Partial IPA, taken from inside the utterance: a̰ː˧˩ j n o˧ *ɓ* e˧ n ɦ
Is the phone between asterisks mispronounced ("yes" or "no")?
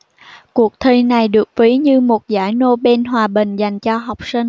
no